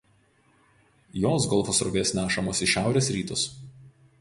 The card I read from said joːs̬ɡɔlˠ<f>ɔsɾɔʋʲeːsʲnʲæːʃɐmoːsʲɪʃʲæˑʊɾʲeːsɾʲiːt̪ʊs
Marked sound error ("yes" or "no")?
no